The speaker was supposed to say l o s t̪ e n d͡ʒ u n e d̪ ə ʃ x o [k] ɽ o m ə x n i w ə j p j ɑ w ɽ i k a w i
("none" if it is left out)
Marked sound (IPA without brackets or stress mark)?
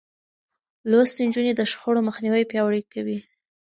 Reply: none